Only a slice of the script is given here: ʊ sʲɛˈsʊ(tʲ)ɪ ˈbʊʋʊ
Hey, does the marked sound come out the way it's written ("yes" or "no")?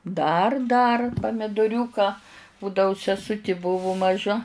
yes